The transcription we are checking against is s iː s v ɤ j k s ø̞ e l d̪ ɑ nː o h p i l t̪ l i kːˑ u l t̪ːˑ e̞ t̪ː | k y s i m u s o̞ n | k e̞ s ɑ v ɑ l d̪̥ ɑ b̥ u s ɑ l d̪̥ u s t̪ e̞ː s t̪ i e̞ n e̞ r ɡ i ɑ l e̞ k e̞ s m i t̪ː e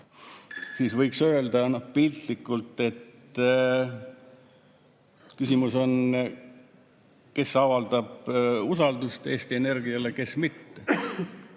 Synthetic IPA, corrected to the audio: s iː s v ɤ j k s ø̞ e l d̪ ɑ n o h p i l t̪ l i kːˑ u l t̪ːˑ e̞ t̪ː | k y s i m u s o̞ n | k e̞ s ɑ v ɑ l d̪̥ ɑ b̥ u s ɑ l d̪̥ u s t̪ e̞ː s t̪ i e̞ n e̞ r ɡ i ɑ l e̞ k e̞ s m i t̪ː e